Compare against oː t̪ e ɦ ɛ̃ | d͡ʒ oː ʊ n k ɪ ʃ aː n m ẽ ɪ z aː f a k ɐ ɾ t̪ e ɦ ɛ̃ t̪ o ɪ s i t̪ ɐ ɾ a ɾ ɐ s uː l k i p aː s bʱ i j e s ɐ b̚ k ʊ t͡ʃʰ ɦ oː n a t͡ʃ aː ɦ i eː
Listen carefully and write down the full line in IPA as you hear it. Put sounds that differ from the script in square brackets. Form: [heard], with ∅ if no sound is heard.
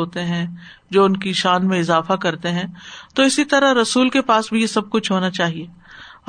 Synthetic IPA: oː t̪ e ɦ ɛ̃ | d͡ʒ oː ʊ n k [i] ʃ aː n m ẽ ɪ z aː f a k ɐ ɾ t̪ e ɦ ɛ̃ t̪ o ɪ s i t̪ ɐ ɾ a ɾ ɐ s uː l k [e] p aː s bʱ i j e s ɐ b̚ k ʊ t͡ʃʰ ɦ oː n a t͡ʃ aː ɦ i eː